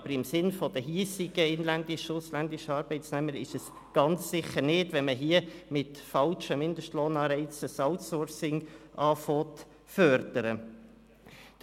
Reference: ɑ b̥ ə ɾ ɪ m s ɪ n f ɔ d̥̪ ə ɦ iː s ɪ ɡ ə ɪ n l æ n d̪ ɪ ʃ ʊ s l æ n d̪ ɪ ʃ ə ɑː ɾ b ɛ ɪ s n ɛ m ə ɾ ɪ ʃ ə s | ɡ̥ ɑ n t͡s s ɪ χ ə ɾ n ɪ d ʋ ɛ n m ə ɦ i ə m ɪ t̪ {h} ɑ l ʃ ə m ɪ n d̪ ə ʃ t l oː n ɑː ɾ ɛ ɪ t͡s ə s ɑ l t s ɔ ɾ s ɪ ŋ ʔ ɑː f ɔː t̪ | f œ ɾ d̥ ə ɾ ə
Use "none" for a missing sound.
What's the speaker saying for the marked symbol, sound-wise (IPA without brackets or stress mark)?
f